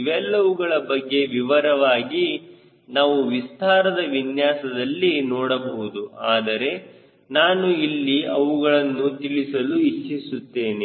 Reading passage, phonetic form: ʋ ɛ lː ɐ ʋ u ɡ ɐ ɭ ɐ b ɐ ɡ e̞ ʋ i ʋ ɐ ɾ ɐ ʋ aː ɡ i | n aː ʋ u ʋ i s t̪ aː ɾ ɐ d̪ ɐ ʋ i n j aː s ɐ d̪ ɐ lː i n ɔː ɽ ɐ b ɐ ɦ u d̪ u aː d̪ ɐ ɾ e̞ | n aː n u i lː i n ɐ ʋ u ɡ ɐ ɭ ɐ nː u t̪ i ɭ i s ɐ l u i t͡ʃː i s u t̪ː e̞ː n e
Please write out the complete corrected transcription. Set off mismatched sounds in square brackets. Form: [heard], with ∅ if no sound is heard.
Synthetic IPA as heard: ʋ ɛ lː ɐ ʋ u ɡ ɐ ɭ ɐ b ɐ [ɡː] e̞ ʋ i ʋ ɐ ɾ ɐ ʋ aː ɡ i | n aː ʋ u ʋ i s t̪ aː ɾ ɐ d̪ ɐ ʋ i n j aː s ɐ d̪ ɐ lː i n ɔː ɽ ɐ b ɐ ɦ u d̪ u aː d̪ ɐ ɾ e̞ | n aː n u i lː i [∅] ɐ ʋ u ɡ ɐ ɭ ɐ nː u t̪ i ɭ i s ɐ l u i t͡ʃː i s u t̪ː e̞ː n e